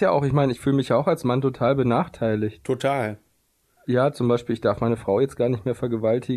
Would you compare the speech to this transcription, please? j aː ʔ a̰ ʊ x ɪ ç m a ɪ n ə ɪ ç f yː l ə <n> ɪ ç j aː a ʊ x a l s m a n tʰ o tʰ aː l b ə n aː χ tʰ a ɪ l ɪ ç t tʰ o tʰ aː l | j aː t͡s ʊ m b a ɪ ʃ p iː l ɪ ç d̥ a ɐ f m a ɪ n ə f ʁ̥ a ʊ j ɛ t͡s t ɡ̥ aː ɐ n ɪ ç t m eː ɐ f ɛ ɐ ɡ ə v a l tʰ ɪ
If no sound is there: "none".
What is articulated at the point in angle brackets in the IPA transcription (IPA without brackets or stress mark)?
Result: m